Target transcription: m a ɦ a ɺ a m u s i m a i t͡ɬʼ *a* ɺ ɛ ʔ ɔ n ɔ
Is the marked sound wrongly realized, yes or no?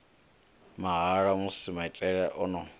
yes